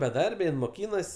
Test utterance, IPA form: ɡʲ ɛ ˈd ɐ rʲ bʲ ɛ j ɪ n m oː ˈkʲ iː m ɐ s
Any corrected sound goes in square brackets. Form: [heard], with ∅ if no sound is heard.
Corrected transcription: [bʲ] ɛ ˈd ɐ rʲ bʲ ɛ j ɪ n m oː ˈkʲ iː [n] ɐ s